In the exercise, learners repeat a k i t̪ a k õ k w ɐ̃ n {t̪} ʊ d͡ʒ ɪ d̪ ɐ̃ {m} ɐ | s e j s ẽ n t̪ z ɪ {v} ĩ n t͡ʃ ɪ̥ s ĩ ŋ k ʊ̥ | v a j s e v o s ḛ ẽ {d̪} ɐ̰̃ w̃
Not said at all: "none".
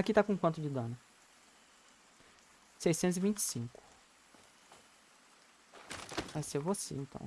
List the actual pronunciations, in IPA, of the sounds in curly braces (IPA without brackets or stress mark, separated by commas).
t̪, n, v, t̪